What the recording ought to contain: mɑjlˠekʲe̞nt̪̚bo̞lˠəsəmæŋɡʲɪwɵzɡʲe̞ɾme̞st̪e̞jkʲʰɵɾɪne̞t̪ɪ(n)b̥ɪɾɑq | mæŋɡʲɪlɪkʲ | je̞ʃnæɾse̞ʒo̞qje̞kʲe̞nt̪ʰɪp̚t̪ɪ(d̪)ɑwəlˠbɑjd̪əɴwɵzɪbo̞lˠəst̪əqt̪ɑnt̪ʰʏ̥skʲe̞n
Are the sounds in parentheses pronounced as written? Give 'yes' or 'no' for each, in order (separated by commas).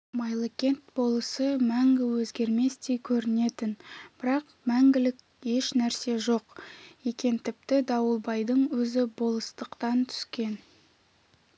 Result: yes, yes